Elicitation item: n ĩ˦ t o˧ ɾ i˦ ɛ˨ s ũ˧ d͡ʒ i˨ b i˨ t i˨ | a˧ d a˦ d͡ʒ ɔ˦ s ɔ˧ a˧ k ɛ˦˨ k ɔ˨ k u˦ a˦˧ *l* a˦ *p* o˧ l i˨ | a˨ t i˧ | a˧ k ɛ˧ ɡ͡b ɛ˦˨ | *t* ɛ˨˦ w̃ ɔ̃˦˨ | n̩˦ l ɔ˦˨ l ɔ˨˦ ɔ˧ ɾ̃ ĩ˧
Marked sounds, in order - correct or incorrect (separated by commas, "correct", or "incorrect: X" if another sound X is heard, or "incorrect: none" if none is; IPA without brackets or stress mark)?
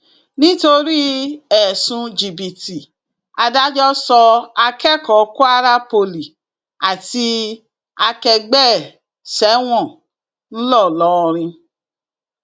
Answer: incorrect: ɾ, correct, incorrect: s